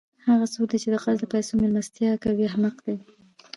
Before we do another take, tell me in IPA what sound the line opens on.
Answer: h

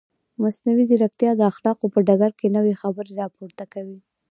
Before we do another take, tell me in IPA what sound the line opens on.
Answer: m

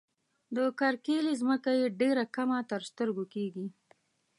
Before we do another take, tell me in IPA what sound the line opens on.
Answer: d̪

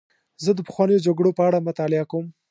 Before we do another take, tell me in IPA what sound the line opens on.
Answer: z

